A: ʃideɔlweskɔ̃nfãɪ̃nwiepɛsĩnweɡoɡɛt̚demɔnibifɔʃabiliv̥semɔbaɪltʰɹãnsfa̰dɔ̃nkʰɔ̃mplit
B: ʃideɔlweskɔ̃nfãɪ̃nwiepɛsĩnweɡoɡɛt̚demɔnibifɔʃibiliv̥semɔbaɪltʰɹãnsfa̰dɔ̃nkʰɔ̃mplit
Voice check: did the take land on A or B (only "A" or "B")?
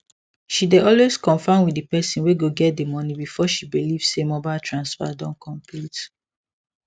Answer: B